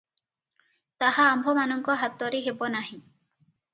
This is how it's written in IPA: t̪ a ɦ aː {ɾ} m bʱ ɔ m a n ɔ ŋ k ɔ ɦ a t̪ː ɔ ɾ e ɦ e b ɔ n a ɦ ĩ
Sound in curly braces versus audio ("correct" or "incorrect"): incorrect